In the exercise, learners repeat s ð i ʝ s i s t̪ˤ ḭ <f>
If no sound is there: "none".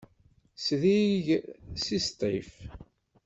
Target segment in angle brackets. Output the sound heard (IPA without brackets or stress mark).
f